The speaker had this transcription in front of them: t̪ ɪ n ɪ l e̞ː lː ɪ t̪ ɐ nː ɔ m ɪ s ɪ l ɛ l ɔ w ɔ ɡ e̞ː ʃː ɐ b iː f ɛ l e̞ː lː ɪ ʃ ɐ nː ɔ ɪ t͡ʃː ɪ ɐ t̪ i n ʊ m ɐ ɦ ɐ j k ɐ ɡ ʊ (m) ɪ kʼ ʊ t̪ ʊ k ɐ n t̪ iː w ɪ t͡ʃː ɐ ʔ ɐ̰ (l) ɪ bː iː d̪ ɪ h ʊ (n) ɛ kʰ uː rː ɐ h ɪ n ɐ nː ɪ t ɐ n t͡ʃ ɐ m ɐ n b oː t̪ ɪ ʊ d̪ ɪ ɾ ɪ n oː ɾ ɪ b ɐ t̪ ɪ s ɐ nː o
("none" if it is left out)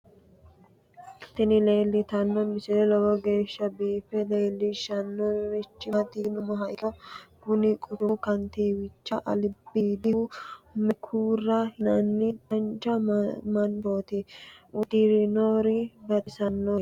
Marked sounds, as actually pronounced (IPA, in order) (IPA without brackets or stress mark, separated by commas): n, l, m